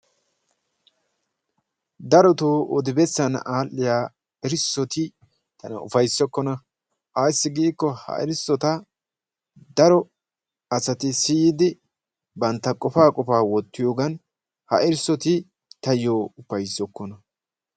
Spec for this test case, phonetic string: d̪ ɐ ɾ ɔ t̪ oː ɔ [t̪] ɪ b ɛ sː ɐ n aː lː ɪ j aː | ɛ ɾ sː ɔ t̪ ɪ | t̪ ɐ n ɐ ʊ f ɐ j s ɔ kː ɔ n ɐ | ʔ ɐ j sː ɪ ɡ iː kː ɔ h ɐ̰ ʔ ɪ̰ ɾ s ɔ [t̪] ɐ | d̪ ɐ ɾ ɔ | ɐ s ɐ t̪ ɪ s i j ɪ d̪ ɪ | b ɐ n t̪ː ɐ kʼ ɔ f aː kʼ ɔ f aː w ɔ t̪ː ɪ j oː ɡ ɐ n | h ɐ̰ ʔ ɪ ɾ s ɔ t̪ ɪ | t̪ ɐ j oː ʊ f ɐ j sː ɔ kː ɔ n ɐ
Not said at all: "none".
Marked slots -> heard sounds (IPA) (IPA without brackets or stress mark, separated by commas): d̪, t̪